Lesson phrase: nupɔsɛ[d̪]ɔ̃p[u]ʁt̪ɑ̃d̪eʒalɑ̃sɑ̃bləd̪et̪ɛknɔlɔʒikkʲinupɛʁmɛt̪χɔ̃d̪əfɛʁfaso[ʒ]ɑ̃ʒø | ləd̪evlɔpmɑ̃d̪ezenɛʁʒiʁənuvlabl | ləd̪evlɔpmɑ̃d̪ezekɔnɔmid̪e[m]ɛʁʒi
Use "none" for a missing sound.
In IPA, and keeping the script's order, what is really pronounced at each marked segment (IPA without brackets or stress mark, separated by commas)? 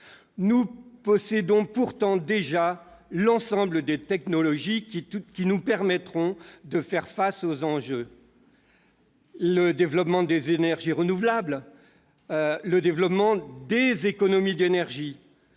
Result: d̪, u, z, n